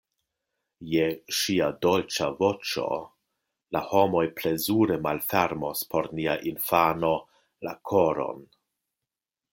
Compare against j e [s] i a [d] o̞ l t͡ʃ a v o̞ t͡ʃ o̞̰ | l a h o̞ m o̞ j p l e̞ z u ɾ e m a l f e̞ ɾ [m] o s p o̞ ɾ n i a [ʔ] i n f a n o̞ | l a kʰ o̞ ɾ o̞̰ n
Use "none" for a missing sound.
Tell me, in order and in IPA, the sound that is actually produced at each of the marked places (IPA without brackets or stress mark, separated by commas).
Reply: ʃ, d, m, ʔ